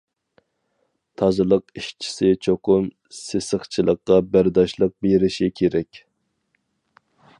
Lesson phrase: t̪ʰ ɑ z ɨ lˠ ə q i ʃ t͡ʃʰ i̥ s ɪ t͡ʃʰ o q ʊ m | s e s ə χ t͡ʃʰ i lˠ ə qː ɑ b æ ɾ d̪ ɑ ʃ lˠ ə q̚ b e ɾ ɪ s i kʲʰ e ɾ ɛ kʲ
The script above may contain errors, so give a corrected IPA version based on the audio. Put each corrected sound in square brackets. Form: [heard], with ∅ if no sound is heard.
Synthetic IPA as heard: t̪ʰ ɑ z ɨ lˠ ə q i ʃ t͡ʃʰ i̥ s ɪ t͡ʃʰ o q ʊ m | s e s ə χ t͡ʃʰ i lˠ ə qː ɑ b æ ɾ d̪ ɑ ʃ lˠ ə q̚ b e ɾ ɪ [ʃ] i kʲʰ e ɾ ɛ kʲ